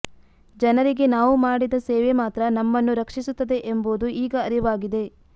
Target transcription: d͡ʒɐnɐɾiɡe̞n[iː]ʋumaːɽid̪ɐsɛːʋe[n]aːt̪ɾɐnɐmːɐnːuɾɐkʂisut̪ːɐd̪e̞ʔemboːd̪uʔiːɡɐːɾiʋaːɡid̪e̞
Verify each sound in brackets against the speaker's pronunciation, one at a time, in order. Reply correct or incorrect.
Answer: incorrect, incorrect

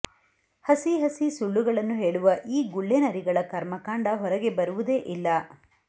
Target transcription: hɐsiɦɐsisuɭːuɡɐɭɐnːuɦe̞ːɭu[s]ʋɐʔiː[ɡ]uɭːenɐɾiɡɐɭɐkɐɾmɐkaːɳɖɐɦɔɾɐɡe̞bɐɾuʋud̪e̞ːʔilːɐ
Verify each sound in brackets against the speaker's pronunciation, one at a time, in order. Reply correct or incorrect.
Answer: incorrect, correct

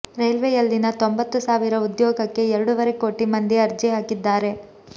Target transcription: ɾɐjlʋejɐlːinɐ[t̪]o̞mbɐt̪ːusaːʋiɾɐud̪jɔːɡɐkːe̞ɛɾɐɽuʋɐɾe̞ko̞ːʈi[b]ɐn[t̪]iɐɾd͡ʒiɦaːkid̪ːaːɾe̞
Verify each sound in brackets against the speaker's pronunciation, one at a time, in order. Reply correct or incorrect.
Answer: correct, incorrect, incorrect

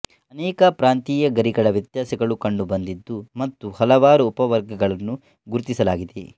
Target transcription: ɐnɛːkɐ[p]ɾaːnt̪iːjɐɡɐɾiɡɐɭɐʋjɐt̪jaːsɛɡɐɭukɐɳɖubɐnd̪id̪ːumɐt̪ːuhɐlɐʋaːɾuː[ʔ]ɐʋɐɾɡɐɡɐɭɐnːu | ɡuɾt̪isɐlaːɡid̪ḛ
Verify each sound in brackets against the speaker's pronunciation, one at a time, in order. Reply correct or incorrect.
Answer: correct, incorrect

